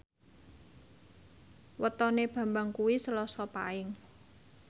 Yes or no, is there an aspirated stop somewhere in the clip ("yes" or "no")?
no